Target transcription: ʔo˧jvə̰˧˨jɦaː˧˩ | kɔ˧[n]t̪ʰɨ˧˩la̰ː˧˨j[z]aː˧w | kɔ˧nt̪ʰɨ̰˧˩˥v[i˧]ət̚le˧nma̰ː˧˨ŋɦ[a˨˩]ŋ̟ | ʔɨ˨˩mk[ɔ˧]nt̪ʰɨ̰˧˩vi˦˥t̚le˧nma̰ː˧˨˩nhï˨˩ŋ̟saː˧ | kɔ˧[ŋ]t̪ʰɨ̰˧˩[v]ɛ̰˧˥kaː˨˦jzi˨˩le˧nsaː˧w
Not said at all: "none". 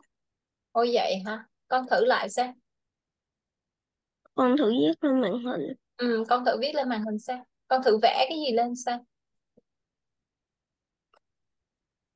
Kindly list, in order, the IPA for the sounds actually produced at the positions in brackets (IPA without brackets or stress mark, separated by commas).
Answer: n, s, i˦˥, i˨˩, ɔ˧, n, v